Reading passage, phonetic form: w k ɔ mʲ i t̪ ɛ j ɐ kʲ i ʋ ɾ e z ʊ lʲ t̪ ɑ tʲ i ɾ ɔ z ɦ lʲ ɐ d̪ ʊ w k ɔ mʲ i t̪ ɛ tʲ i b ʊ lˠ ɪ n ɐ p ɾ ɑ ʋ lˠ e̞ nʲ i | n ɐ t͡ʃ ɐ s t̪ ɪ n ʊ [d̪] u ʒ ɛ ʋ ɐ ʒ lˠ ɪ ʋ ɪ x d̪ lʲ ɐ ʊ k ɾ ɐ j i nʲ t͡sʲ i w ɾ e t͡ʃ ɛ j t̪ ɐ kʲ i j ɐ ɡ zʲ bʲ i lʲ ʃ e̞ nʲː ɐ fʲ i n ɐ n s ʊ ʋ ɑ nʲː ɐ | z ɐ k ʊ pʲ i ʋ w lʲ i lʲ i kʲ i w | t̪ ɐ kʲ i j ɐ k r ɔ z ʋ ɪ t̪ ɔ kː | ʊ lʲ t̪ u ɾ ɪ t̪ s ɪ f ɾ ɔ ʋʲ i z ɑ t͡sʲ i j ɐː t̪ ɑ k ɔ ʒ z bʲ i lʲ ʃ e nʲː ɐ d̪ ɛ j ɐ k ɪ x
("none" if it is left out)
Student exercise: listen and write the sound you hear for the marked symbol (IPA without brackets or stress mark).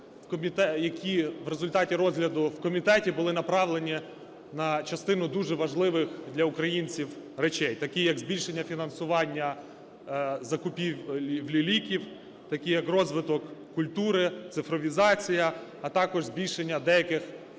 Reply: d̪